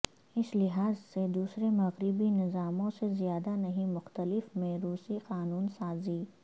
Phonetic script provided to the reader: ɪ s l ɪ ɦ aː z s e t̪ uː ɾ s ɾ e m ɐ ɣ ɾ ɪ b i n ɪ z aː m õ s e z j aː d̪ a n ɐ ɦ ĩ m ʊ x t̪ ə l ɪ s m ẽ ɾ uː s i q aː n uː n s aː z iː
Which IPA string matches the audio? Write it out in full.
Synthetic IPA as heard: ɪ s l ɪ ɦ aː z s e d̪ uː s ɾ e m ɐ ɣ ɾ ɪ b i n ɪ z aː m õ s e z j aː d̪ a n ɐ ɦ ĩ m ʊ x t̪ ə l ɪ f m ẽ ɾ uː s i q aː n uː n s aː z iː

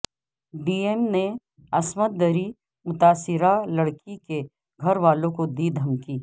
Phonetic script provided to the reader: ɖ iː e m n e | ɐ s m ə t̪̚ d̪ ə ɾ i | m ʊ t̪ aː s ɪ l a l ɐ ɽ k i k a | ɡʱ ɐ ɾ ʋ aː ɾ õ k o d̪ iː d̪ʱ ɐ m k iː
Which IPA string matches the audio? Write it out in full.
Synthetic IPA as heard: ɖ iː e m n e | ɐ s m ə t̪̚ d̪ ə ɾ i | m ʊ t̪ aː s ɪ ɾ a l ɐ ɽ k i k e | ɡʱ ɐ ɾ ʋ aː l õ k o d̪ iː d̪ʱ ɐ m k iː

